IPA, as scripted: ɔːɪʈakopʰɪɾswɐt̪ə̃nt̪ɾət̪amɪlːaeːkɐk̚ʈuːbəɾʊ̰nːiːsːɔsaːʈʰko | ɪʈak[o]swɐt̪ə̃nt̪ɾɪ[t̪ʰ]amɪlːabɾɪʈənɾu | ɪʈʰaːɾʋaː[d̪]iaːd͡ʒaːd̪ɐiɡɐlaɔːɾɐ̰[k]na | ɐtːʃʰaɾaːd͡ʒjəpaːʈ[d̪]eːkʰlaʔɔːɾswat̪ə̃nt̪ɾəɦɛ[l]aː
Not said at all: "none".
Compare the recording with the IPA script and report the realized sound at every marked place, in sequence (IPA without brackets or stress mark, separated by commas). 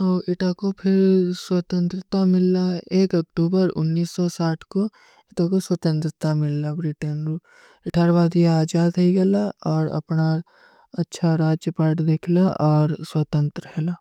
o, t̪, d̪, p, d̪, l